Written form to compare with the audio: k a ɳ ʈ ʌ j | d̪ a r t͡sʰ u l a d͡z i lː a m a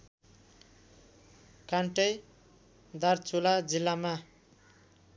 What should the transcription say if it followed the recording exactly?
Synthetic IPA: k a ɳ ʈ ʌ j | d̪ a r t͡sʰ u l a d͡z i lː a m a